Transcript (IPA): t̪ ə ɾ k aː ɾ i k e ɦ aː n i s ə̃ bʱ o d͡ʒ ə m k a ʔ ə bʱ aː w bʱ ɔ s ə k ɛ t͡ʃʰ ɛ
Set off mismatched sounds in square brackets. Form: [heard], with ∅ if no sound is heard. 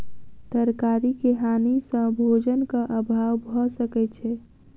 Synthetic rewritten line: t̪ ə ɾ k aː ɾ i k e ɦ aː n i s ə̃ bʱ o d͡ʒ ə [n] k a ʔ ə bʱ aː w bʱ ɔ s ə k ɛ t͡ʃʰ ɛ